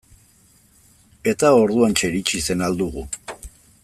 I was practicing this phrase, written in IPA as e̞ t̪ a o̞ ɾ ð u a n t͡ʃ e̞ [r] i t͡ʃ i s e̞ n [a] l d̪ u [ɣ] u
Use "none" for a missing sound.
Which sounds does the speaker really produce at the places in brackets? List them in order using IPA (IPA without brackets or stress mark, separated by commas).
ɾ, a, ɣ